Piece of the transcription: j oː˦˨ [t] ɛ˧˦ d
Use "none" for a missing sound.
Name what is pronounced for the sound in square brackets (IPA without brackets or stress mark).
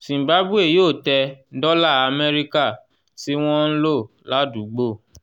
t